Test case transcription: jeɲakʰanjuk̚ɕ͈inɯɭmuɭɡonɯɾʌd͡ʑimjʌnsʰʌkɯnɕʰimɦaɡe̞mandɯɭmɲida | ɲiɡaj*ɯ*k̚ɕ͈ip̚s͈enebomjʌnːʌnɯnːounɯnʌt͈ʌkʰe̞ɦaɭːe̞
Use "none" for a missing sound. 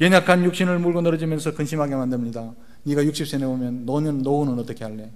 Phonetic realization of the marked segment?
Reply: u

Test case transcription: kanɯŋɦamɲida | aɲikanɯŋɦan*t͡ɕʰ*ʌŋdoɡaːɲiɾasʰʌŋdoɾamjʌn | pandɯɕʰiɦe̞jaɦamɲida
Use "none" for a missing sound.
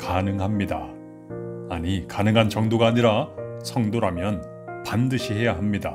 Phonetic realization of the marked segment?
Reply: t͡ɕ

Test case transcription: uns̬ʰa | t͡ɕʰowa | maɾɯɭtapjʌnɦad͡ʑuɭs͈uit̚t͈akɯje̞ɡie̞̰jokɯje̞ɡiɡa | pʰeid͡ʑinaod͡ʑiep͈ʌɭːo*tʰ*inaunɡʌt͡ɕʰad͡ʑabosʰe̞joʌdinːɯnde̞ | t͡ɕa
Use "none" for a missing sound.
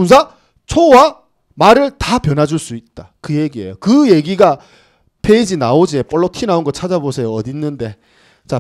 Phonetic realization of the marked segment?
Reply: tʰ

